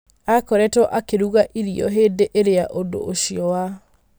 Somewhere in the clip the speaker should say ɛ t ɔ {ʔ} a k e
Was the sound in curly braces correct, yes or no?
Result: yes